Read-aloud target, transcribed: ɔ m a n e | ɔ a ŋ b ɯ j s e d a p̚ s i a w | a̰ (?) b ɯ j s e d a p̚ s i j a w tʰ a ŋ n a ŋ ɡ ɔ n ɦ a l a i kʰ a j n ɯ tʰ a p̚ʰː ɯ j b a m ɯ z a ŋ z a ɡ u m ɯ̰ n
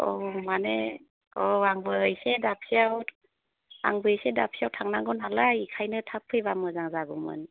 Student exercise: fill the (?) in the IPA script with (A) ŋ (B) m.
A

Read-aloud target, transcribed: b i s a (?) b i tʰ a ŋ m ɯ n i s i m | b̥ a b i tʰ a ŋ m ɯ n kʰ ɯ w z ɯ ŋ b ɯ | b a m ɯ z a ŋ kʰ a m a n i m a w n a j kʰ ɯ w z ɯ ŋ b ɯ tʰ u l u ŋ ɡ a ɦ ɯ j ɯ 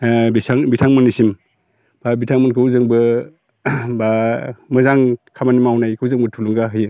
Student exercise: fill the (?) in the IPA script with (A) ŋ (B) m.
A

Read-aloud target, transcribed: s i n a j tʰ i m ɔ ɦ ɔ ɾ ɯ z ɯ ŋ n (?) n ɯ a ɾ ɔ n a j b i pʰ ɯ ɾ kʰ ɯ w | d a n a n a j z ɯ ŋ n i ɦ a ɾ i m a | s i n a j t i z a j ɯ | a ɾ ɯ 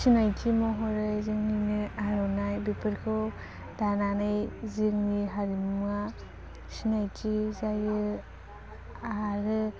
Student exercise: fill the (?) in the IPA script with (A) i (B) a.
A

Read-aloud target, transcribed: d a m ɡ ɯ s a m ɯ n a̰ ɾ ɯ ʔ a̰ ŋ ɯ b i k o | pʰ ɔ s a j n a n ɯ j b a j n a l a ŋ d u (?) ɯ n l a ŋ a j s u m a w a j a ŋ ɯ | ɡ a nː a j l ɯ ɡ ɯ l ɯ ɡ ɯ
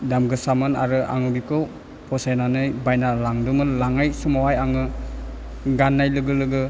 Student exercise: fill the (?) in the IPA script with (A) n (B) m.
B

